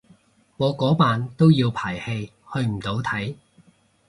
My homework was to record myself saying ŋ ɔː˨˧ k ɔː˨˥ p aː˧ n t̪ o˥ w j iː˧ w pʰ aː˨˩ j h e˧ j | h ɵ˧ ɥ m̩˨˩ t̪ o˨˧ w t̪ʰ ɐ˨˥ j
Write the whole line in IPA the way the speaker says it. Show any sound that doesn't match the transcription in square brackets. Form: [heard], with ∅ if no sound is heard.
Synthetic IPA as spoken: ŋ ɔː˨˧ k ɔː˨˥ p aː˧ n t̪ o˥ w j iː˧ w pʰ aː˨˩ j h e˧ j | h ɵ˧ ɥ m̩˨˩ t̪ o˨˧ w t̪ʰ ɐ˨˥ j